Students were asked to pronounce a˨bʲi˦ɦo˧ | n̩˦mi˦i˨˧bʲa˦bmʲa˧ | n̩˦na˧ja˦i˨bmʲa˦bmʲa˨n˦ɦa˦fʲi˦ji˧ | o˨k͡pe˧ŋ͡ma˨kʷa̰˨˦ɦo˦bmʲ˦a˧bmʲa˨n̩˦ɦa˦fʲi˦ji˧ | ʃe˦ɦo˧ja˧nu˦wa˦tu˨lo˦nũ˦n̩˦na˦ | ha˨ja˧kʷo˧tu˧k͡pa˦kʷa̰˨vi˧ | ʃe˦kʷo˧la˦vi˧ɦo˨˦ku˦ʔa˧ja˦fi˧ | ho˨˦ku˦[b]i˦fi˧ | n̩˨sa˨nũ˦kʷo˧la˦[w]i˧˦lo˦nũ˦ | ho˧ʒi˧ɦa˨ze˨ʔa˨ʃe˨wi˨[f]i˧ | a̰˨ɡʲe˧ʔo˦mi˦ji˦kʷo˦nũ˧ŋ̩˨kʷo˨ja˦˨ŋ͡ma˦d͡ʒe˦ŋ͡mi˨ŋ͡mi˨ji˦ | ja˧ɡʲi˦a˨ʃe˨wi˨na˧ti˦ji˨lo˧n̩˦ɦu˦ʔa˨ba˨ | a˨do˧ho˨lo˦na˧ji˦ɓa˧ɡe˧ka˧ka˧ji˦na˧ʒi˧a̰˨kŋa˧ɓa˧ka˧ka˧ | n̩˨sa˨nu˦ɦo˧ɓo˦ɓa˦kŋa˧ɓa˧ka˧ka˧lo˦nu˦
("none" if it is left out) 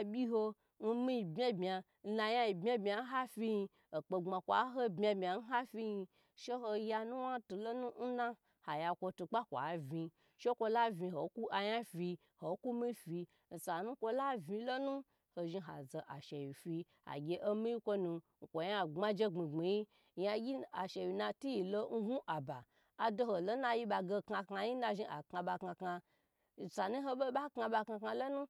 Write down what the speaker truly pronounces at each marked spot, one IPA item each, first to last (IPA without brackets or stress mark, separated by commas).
m, v, f